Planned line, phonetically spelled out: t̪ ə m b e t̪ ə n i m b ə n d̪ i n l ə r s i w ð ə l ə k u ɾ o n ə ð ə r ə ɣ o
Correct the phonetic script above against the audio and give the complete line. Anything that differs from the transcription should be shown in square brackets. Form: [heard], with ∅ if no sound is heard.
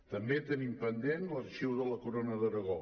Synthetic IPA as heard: t̪ ə m b e t̪ ə n i m [p] ə n d̪ [e] n l ə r [ʃ] i w ð ə l ə k u ɾ o n ə ð ə [ɾ] ə ɣ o